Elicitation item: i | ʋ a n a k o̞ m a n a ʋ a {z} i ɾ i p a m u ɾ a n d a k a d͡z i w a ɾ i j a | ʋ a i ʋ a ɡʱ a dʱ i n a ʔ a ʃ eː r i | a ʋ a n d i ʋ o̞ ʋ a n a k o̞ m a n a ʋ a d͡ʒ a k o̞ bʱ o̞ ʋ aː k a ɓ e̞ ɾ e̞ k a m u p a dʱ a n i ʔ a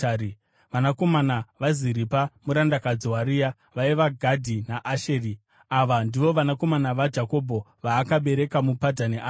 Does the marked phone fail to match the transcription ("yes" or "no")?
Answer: no